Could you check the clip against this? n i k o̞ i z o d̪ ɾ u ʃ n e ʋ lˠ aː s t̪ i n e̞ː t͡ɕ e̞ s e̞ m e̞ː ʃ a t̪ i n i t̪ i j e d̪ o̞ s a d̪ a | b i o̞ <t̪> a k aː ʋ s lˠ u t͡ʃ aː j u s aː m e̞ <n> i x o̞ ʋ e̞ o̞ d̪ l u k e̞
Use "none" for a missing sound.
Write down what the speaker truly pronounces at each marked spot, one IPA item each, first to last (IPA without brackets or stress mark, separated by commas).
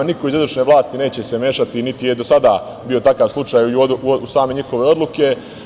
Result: t̪, ɲ